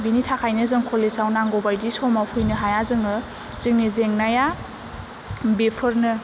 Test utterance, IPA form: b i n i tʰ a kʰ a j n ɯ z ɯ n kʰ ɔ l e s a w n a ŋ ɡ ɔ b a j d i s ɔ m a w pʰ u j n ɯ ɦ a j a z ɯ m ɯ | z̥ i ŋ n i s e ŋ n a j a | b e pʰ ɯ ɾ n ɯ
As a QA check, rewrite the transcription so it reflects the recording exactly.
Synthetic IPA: b i n i tʰ a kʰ a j n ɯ z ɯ ŋ kʰ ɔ l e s a w n a ŋ ɡ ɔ b a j d i s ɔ m a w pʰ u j n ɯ ɦ a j a z ɯ ŋ ɯ | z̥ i ŋ n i z e ŋ n a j a | b e pʰ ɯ ɾ n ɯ